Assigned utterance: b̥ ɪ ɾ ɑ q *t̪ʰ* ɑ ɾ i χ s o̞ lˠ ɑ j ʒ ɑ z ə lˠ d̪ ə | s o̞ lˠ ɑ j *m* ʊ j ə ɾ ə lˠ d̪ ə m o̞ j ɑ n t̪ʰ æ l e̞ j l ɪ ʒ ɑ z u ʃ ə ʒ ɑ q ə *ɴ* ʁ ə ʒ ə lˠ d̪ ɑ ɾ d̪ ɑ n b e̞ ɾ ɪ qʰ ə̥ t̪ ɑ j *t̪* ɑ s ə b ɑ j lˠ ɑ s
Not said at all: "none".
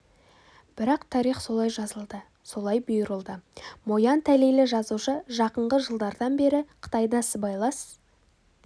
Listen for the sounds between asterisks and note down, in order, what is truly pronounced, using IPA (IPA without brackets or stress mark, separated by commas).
t̪ʰ, b, ɴ, d̪